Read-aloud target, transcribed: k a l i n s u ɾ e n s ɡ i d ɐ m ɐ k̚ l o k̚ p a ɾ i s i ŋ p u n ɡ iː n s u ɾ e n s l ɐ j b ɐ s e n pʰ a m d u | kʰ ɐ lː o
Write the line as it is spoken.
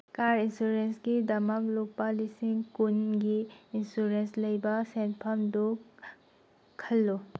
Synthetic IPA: k a ɾ i n s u ɾ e n s ɡ i d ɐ m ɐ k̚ l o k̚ p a l i s i ŋ k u n ɡ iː n s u ɾ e n s l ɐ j b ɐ s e n pʰ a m d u | kʰ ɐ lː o